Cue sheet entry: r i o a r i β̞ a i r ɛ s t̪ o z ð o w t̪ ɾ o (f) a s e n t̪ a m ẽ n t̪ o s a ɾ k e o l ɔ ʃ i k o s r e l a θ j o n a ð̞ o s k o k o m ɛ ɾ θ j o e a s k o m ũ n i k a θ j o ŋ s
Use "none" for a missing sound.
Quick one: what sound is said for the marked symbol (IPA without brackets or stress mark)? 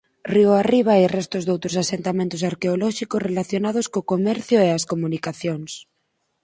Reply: s